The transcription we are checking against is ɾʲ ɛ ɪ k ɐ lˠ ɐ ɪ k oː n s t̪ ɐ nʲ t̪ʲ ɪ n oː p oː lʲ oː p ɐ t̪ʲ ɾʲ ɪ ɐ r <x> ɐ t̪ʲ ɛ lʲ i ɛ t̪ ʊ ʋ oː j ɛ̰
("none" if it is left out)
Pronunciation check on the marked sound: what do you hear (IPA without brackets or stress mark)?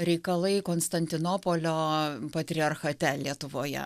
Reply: x